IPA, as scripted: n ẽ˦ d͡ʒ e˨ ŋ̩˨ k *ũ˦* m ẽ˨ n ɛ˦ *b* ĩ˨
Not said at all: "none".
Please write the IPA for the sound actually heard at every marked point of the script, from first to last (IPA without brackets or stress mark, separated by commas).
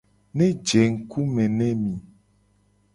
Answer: u˦, m